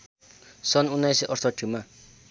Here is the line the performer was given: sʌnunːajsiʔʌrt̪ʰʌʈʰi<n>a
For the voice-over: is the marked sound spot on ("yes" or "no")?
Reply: no